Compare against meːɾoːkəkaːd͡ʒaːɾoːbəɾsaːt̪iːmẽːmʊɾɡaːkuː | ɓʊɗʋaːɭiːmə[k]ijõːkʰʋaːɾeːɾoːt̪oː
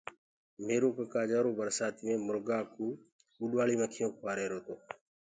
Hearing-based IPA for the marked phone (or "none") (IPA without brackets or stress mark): kʰ